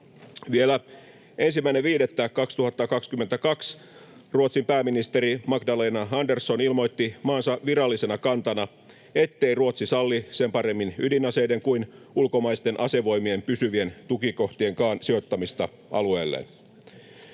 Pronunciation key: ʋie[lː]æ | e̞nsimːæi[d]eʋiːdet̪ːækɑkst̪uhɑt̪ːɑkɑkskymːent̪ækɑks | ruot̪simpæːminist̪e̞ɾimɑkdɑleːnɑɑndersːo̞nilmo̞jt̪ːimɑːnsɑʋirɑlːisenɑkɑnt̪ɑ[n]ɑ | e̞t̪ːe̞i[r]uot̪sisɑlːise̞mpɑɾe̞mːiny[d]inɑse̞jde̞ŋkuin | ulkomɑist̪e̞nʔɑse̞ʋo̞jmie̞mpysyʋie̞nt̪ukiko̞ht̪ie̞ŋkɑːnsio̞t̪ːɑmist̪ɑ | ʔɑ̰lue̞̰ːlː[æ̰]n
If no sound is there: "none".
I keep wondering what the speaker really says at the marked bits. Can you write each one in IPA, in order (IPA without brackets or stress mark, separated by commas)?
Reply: l, n, n, r, d, ḛ